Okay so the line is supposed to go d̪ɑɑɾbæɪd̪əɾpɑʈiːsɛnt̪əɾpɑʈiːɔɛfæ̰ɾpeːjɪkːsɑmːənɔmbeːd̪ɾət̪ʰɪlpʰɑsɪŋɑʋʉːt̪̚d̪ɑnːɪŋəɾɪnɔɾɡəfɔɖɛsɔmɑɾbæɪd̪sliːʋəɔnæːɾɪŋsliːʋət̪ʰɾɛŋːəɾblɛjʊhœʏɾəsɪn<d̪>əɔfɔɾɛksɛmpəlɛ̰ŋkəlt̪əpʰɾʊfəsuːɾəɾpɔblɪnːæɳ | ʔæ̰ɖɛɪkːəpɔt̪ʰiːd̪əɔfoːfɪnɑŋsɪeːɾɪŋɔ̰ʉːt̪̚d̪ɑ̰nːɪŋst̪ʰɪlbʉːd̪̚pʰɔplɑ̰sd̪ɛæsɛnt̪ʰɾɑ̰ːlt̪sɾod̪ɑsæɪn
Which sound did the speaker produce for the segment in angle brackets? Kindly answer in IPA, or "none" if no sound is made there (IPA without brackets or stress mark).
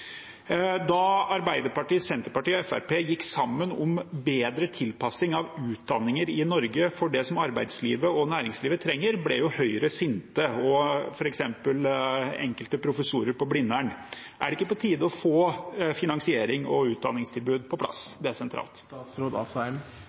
t̪